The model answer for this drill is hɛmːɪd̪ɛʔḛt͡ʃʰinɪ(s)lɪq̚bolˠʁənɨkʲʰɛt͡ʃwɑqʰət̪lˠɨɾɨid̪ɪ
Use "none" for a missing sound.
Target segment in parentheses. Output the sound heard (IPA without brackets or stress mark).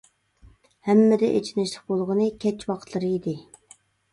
ʃ